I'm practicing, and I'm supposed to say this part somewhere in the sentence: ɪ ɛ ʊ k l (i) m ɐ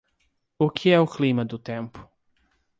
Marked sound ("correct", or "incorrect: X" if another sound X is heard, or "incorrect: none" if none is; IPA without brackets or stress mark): correct